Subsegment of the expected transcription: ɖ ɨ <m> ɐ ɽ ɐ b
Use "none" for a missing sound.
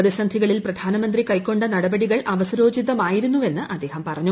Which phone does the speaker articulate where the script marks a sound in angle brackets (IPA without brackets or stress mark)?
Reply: n